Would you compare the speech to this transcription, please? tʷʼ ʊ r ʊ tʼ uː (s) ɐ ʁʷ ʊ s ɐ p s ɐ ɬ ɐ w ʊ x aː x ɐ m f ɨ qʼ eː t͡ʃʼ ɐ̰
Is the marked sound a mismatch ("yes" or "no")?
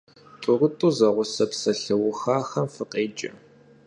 yes